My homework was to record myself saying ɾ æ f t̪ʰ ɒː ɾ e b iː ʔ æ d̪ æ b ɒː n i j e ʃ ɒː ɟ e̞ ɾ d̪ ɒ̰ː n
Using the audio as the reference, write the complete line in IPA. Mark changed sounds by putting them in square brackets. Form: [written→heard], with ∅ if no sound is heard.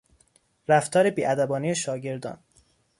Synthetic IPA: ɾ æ f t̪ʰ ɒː ɾ e b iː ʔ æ d̪ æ b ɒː n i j e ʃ ɒː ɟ e̞ ɾ d̪ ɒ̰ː n